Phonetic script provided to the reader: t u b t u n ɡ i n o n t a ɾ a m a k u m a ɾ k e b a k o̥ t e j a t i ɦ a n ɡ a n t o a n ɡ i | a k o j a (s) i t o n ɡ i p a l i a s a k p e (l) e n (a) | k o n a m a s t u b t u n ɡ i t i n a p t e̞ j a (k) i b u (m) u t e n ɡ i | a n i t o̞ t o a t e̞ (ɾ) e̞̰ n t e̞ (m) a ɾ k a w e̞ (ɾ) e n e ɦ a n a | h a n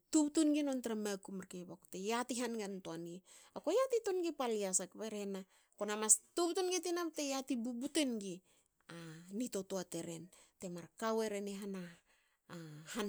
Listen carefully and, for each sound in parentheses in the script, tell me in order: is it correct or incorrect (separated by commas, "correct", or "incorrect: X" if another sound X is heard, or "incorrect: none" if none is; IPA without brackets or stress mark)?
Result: incorrect: t, incorrect: ɾ, correct, incorrect: t, incorrect: b, correct, correct, correct